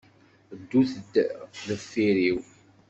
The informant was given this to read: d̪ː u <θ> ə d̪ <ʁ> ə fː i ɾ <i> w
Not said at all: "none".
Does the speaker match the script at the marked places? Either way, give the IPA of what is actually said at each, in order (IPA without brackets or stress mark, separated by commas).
θ, ð, i